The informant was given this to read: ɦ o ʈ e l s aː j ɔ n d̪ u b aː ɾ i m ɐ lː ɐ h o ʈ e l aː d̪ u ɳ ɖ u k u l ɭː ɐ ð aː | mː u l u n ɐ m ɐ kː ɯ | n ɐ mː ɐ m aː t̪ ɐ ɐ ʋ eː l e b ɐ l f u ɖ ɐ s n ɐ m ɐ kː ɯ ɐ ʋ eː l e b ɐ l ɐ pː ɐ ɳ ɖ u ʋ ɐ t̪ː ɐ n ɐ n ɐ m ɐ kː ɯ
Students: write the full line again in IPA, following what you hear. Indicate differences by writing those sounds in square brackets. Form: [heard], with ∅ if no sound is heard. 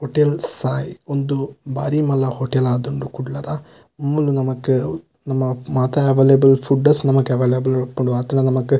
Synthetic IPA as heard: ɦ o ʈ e l s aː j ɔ n d̪ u b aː ɾ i m ɐ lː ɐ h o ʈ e l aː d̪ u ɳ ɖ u k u [ɽ] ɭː ɐ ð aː | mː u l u n ɐ m ɐ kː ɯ | n ɐ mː ɐ m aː t̪ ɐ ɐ ʋ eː l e b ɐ l f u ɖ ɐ s n ɐ m ɐ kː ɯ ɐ ʋ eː l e b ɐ l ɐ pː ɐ ɳ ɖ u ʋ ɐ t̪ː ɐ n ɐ n ɐ m ɐ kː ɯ